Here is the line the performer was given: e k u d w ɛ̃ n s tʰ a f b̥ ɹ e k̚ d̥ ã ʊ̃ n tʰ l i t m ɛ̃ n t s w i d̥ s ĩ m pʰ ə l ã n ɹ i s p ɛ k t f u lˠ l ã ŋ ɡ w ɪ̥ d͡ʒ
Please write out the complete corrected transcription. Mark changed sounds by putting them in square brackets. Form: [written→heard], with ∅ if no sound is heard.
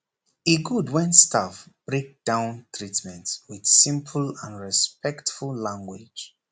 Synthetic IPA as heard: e [k→ɡ] u d w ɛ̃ n s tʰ a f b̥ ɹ e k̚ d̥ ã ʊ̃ n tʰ [l→ɹ] i t m ɛ̃ n t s w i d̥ s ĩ m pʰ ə l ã n ɹ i s p ɛ k t f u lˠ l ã ŋ ɡ w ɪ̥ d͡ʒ

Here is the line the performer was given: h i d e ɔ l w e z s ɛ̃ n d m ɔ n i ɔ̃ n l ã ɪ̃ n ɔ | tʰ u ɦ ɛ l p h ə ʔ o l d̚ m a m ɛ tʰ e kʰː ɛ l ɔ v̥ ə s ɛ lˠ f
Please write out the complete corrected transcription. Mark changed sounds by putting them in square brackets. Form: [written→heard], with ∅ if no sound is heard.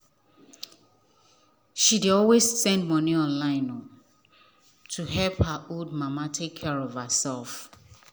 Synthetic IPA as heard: [h→ʃ] i d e ɔ l w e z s ɛ̃ n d m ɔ n i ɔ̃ n l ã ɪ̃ n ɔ | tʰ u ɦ ɛ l p h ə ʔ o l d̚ m a m [ɛ→a] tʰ e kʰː ɛ [l→ɹ] ɔ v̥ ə s ɛ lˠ f

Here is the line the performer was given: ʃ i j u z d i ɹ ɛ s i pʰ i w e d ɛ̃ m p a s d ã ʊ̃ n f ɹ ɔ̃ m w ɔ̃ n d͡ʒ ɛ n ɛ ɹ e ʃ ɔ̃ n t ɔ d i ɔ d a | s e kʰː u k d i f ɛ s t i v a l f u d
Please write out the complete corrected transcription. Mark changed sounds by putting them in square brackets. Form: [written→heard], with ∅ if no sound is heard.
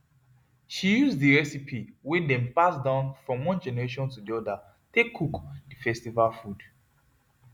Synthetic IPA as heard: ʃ i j u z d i ɹ ɛ s i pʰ i w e d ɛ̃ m p a s d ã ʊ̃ n f ɹ ɔ̃ m w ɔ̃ n d͡ʒ ɛ n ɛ ɹ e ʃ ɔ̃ n t [ɔ→u] d i ɔ d a | [s→t] e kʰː u k d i f ɛ s t i v a l f u d

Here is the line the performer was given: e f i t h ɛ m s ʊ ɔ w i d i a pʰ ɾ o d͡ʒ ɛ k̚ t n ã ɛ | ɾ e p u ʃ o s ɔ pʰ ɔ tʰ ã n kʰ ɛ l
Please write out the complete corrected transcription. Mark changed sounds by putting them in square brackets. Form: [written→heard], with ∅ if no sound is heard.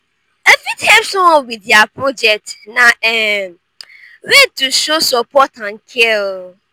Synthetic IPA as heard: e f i t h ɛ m s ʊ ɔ w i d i a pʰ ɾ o d͡ʒ ɛ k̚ t n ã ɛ | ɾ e [p→t] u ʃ o s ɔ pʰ ɔ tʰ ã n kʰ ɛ l

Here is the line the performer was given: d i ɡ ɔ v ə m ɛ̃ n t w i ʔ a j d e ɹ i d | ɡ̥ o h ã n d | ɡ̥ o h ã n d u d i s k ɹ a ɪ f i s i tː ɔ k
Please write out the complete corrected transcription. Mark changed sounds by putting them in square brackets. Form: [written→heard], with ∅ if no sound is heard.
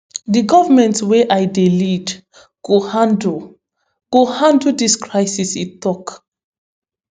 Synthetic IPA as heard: d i ɡ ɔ v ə m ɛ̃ n t w [i→e] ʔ a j d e [ɹ→l] i d | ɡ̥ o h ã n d | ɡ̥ o h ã n d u d i s k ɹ a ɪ [f→s] i s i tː ɔ k

